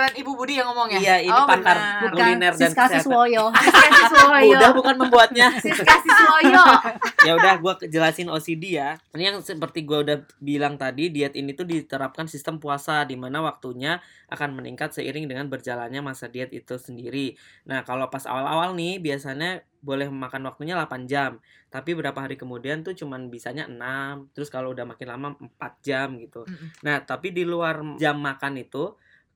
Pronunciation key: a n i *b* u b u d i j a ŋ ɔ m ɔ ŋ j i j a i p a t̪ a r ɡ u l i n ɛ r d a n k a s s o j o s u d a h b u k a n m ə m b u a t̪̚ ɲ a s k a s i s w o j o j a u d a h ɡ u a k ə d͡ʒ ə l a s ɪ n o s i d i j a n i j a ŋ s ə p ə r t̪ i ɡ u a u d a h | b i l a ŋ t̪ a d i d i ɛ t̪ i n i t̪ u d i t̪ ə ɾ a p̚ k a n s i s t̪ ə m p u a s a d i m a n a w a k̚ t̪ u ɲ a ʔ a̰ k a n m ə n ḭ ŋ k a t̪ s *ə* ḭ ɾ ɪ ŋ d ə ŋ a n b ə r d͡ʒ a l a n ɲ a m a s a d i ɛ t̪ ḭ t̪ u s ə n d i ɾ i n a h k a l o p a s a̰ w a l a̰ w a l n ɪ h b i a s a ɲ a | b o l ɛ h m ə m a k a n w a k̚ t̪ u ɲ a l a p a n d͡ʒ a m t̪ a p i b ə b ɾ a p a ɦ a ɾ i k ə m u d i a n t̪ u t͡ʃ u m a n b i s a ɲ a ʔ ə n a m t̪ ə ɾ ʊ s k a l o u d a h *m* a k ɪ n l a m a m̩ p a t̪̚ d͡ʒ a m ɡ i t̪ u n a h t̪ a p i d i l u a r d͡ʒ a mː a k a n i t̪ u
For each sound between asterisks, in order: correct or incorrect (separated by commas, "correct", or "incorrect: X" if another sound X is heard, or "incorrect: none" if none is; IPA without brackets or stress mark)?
correct, correct, correct